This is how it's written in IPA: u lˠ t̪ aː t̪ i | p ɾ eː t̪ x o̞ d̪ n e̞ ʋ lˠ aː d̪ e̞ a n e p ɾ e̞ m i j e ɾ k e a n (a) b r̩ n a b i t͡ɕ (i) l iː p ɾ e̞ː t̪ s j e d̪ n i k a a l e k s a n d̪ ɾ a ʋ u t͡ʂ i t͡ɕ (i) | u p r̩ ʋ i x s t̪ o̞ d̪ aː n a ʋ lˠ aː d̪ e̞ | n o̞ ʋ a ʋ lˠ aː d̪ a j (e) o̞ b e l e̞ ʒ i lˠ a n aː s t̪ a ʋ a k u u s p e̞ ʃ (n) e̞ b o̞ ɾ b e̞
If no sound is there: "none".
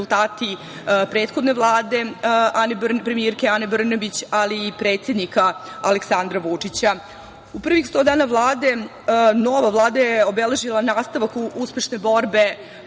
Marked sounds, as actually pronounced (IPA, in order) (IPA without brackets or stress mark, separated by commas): e, a, a, e, n